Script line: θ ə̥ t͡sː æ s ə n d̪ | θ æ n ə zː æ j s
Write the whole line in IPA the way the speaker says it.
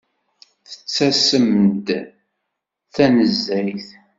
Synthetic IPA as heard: θ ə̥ t͡sː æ s ə m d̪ | θ æ n ə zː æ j θ